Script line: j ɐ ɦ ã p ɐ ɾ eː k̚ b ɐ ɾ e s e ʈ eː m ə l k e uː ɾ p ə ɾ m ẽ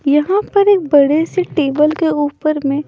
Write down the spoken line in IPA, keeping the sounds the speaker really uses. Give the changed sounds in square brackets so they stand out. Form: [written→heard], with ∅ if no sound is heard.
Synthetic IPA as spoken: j ɐ ɦ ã p ɐ ɾ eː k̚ b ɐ [ɾ→ɽ] e s e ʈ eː [m→b] ə l k e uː [ɾ→∅] p ə ɾ m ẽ